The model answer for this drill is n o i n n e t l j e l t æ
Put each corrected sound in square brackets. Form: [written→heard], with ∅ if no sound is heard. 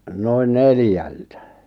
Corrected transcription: n o i n n e [t→∅] l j [e→æ] l t æ

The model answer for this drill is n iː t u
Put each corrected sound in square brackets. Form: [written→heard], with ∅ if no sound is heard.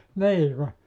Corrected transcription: n iː [t→k] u

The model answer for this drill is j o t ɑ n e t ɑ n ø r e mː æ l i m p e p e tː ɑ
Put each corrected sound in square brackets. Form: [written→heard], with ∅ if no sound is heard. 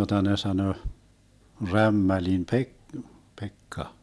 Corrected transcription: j o t ɑ n e [t→s] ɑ n ø r [e→æ] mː æ l i m p e p e [tː→kː] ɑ

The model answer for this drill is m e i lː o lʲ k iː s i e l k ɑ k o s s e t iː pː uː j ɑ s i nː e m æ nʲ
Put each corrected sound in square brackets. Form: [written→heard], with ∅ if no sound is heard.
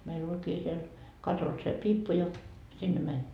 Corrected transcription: m e i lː o lʲ k iː s i e l k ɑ [k→t] o s s e [t→p] iː pː [uː→u] j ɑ s i nː e m æ nʲ

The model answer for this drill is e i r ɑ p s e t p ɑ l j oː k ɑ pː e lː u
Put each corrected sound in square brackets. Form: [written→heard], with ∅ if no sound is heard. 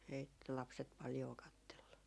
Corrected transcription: e i [r→l] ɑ p s e t p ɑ l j oː k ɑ [pː→tː] e lː u

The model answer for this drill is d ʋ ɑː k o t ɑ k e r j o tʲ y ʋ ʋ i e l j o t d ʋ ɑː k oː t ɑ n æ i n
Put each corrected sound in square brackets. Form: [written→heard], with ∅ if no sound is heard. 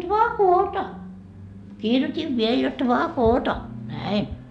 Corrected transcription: d ʋ ɑː k [o→oː] t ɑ k [e→i] r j o tʲ [y→i] ʋ ʋ i e l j o t d ʋ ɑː k oː t ɑ n æ i n

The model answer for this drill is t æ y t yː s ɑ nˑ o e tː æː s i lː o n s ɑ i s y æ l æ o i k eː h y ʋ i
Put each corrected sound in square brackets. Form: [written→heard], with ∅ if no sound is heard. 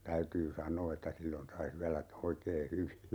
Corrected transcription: t æ y t yː s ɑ nˑ [o→oː] e tː [æː→æ] s i lː o n s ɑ i s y æ l æ o i k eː h y ʋ i

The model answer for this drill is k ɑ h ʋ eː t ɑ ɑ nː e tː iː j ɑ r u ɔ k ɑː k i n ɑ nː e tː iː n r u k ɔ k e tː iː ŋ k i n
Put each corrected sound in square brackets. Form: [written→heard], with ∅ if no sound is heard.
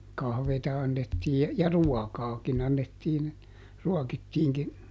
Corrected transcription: k ɑ h ʋ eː t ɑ ɑ nː e tː iː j ɑ r u ɔ k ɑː k i n ɑ nː e tː iː n r u [k→∅] ɔ k [e→i] tː iː ŋ k i n

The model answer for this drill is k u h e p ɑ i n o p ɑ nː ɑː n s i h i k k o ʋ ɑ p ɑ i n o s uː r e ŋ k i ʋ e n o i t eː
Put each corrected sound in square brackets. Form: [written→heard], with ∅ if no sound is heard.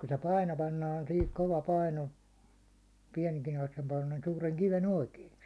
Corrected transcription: k u [h→s] e p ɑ i n o p ɑ nː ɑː n s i h i k k o ʋ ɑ p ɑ i n o s uː r e ŋ k i ʋ e n o i [t→k] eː

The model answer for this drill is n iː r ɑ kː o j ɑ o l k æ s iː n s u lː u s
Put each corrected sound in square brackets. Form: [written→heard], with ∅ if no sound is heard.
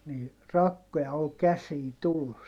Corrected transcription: n iː r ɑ kː o j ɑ o l k æ s iː n [s→t] u lː u s

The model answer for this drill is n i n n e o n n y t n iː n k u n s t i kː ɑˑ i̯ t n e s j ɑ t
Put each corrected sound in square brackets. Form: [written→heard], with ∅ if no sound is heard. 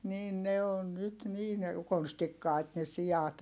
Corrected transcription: n [i→iː] n n e o n n y t n iː n k [u→o] n s t i kː ɑˑ i̯ t n e s [j→i] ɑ t

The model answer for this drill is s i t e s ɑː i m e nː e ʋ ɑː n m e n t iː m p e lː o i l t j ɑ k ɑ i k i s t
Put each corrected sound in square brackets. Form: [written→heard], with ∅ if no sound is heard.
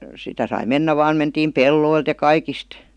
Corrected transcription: s i t [e→æ] s [ɑː→ɑ] i m e nː [e→æ] ʋ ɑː n m e n t iː m p e lː o i l t j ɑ k ɑ i k i s t

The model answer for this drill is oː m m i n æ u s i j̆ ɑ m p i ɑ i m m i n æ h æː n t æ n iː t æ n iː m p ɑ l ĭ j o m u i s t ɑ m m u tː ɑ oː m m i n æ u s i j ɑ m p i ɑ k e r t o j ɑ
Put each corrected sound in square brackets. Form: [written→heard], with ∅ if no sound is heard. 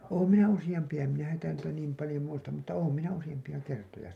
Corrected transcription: oː m m i n æ u s i j̆ ɑ m p i ɑ [i→e] m m i n æ h [æː→æ] n t æ n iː t æ n iː m p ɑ l ĭ j o m u i s t ɑ m m u tː ɑ oː m m i n æ u s i j ɑ m p i ɑ k e r t o j ɑ

